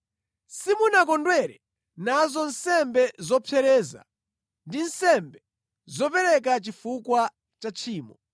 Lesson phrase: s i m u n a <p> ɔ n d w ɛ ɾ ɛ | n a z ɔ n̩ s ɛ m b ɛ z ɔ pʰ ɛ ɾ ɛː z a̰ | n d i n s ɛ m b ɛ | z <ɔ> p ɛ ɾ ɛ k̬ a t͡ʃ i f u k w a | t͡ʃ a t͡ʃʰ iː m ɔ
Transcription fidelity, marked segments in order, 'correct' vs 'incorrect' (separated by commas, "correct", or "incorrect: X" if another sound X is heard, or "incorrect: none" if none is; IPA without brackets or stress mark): incorrect: k, correct